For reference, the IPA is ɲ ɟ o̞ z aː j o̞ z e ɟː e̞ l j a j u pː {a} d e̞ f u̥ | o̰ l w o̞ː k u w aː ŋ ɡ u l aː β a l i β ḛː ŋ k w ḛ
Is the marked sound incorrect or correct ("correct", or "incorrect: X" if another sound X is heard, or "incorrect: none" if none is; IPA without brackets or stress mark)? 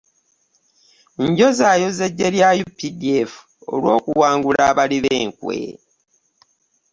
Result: incorrect: i